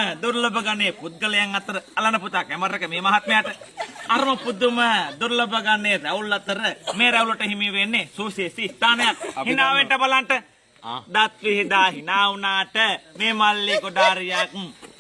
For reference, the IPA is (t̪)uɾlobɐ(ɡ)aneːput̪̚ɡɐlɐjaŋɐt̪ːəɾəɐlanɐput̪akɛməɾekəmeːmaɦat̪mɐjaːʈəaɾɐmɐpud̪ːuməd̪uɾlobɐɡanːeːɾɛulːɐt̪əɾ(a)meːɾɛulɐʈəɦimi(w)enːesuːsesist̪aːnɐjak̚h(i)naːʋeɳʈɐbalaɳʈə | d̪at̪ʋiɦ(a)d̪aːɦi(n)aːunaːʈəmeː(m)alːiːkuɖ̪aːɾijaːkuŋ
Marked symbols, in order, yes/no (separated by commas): no, yes, no, no, yes, no, yes, yes